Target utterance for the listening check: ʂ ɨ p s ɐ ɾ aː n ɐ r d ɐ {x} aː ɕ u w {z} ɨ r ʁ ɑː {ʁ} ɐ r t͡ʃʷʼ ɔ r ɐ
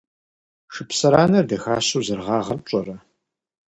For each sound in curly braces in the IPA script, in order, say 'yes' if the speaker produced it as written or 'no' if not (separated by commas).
yes, yes, yes